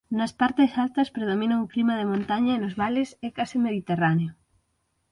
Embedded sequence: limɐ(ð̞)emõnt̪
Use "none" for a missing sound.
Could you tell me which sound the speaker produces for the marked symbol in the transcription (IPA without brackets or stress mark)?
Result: ð̞